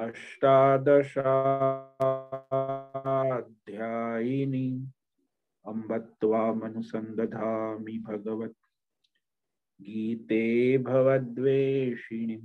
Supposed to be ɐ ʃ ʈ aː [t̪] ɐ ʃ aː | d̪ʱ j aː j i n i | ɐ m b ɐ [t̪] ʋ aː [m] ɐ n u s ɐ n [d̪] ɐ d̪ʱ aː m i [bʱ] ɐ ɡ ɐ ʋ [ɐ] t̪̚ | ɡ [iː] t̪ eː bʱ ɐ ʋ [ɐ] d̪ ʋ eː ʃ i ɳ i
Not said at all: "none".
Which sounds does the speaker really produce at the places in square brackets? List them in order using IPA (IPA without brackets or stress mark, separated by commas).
d̪, t̪, m, d̪, bʱ, ɐ, iː, ɐ